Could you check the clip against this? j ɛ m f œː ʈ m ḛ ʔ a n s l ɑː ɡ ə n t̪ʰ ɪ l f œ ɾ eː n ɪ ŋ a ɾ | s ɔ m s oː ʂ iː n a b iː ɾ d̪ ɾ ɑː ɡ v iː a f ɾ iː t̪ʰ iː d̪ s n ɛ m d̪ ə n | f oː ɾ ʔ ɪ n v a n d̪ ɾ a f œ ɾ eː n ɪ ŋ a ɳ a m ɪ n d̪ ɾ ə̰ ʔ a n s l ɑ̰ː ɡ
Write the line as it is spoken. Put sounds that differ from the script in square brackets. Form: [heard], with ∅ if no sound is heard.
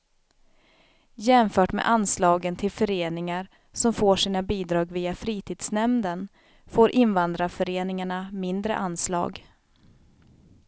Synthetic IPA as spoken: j ɛ m f œː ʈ m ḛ ʔ a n s l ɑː ɡ ə n t̪ʰ ɪ l f œ ɾ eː n ɪ ŋ a ɾ | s ɔ m [f] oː ʂ iː n a b iː [∅] d̪ ɾ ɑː ɡ v iː a f ɾ iː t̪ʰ iː d̪ s n ɛ m d̪ ə n | f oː ɾ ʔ ɪ n v a n d̪ ɾ a f œ ɾ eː n ɪ ŋ a ɳ a m ɪ n d̪ ɾ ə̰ ʔ a n s l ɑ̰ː ɡ